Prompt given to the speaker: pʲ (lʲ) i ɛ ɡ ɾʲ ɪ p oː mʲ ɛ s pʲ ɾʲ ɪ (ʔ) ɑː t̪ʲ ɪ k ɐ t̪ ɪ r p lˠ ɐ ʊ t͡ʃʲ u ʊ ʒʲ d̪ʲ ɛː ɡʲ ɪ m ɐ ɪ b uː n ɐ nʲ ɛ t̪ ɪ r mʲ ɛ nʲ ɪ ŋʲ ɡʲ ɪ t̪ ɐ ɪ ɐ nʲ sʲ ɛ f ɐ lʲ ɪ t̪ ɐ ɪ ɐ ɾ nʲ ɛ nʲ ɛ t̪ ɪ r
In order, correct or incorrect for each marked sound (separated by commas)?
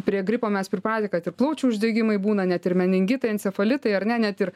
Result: incorrect, incorrect